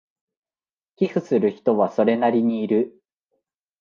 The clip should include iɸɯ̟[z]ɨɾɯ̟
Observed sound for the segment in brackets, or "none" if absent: s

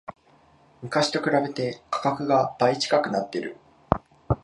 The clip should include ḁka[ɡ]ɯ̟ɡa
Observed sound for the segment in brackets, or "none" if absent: k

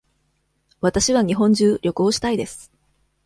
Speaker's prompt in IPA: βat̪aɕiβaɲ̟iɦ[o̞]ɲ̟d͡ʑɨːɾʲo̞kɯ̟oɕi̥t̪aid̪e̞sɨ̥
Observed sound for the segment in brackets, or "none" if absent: õ̞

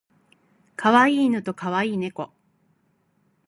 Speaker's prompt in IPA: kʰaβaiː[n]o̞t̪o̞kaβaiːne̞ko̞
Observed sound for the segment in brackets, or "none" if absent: n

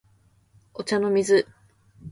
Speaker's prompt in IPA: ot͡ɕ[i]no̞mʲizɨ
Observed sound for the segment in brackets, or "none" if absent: a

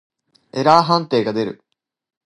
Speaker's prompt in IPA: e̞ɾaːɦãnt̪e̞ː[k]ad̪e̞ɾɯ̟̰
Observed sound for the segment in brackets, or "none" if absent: ɡ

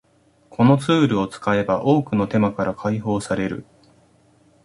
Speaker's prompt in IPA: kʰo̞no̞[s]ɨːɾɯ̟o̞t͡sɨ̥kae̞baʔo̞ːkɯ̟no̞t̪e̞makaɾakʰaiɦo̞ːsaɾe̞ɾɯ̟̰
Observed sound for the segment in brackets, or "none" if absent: t͡s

